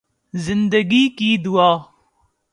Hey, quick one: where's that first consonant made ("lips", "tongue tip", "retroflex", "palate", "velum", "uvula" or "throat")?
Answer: tongue tip